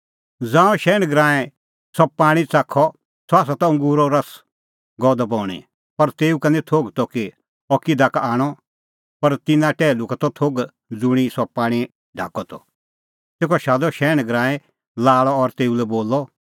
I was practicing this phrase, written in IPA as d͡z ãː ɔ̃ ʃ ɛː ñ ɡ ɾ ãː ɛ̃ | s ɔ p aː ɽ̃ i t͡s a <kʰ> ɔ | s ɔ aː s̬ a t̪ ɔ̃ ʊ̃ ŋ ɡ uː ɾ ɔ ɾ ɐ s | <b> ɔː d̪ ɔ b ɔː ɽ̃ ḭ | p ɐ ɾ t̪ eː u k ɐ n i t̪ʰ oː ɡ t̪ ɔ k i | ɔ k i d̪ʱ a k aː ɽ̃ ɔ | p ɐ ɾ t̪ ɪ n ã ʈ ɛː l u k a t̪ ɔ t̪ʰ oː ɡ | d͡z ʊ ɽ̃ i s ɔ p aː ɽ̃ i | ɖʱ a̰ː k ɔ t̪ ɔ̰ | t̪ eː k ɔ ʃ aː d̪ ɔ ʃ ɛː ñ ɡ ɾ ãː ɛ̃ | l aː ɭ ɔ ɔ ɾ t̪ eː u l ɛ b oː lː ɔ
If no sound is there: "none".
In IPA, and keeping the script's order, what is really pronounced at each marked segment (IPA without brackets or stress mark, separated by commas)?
kʰ, ɡ